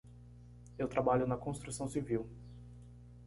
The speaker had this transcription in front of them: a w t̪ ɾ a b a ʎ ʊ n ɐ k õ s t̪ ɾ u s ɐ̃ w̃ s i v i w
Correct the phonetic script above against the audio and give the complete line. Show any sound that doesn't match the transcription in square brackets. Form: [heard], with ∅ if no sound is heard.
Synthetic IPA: [e] w t̪ ɾ a b a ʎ ʊ n ɐ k õ s t̪ ɾ u s ɐ̃ w̃ s i v i w